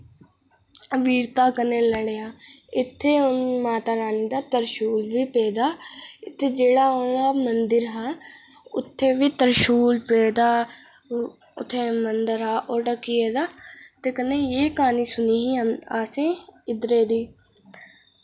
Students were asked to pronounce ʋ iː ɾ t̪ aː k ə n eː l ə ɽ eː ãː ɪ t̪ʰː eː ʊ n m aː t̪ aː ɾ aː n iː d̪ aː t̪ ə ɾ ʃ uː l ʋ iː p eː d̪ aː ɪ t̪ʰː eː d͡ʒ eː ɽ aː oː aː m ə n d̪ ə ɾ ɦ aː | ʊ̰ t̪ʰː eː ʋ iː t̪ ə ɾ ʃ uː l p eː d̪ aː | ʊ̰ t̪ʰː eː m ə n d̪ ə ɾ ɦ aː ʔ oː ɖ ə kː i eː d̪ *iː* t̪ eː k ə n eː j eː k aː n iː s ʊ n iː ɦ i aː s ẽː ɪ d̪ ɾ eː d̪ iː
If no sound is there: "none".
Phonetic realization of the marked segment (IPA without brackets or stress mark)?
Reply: aː